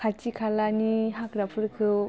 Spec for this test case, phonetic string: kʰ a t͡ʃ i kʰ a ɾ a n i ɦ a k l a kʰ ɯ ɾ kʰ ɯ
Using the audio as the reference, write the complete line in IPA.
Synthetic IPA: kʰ a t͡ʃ i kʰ a l a n i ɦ a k ɾ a pʰ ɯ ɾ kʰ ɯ